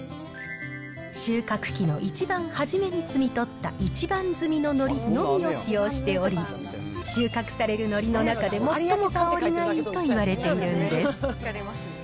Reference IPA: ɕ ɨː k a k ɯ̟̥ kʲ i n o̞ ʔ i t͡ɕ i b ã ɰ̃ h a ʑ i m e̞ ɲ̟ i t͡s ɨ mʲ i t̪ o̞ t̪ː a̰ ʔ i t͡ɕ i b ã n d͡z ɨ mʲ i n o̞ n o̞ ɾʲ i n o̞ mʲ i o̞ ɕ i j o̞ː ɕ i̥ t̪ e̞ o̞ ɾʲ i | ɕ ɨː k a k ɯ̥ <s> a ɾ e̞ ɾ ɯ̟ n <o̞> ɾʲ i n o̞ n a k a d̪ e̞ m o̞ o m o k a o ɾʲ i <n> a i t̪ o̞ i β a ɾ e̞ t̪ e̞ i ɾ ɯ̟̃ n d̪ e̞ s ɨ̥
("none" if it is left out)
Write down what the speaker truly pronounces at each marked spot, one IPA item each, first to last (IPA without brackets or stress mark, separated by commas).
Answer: s, o̞, n